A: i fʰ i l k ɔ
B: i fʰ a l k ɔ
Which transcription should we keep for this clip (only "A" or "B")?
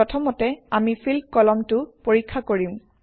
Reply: A